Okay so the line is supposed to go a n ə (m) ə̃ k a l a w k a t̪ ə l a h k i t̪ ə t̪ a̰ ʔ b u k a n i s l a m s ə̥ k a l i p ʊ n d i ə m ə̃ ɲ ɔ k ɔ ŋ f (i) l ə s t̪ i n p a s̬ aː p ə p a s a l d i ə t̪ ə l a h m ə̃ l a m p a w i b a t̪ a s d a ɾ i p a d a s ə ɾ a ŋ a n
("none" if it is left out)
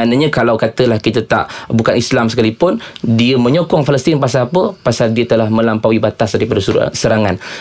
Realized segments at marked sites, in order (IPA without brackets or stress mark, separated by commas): ɲ, a